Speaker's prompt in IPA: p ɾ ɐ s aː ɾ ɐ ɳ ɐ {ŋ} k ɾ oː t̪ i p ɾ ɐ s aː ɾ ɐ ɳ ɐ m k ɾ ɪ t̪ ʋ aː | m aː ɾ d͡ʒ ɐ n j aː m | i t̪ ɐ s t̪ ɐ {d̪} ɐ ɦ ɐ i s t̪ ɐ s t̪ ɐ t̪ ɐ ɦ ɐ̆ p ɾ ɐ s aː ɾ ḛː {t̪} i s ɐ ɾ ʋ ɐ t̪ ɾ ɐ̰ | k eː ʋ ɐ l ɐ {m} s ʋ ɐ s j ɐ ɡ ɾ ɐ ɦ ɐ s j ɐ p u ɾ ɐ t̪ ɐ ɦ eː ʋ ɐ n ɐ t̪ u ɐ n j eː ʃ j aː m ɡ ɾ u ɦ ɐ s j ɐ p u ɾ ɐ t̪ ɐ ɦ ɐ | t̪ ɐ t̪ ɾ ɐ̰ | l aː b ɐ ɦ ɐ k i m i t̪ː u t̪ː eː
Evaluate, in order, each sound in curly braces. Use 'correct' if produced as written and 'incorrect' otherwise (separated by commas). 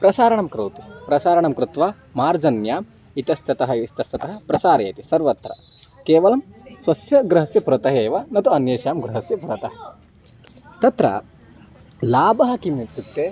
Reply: incorrect, incorrect, correct, correct